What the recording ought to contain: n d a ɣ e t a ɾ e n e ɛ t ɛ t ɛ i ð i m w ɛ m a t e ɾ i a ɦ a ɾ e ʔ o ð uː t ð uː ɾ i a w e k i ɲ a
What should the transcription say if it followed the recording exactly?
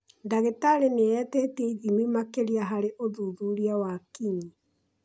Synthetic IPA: n d a ɣ e t a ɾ e n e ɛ t ɛ t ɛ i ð i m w i m a k e ɾ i a ɦ a ɾ e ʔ o ð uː ð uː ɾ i a w a k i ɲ i